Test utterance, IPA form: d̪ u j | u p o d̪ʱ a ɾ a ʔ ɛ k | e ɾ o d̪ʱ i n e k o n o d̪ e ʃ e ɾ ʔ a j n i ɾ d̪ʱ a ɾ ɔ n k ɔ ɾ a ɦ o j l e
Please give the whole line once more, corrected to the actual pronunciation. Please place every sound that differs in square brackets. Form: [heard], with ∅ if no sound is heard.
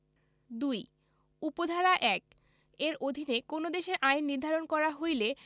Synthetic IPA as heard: d̪ u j | u p o d̪ʱ a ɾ a ʔ ɛ k | e ɾ o d̪ʱ i n e k o n o d̪ e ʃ e ɾ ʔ a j [nː] i ɾ d̪ʱ a ɾ [o] n k ɔ ɾ a ɦ o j l e